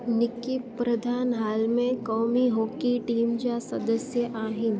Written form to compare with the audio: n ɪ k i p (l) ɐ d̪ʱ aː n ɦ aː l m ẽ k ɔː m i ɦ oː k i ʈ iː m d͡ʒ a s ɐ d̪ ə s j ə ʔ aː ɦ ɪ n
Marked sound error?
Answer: yes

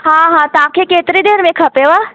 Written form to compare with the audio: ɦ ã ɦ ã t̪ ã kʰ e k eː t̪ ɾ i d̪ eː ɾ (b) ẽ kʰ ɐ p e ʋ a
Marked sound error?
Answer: yes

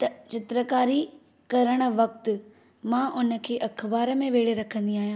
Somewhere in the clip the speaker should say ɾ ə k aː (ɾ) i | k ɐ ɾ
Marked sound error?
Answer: no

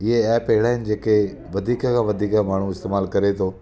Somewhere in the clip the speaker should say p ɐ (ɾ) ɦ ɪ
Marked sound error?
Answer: yes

